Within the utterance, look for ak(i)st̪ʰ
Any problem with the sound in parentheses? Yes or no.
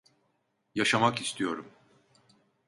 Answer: no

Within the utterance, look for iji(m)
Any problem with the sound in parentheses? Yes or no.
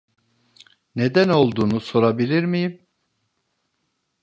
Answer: no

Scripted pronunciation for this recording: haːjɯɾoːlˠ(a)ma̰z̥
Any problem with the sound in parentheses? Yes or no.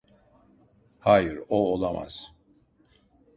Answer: no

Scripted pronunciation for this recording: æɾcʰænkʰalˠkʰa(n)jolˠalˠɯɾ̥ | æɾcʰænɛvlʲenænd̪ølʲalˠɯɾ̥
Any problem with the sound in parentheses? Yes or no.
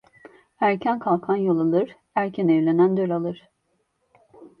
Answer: no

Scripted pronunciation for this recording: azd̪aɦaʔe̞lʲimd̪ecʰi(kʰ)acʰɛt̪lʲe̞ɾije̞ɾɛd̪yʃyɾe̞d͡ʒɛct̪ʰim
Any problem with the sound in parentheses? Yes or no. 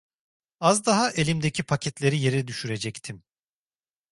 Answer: yes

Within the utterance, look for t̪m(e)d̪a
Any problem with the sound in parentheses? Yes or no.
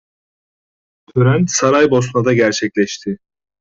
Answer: yes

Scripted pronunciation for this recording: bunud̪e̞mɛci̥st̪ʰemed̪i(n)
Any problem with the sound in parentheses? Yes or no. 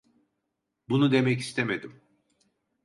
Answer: yes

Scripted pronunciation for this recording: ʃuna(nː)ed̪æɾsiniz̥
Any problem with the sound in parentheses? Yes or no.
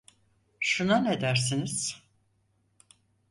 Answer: yes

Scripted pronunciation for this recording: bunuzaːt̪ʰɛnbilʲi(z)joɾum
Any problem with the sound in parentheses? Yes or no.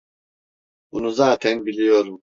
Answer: yes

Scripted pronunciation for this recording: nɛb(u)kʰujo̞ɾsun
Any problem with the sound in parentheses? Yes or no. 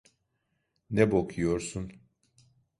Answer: yes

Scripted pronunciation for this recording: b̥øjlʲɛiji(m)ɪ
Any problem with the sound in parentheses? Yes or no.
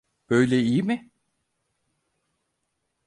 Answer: no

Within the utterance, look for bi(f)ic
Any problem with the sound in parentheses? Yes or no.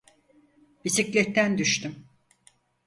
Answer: yes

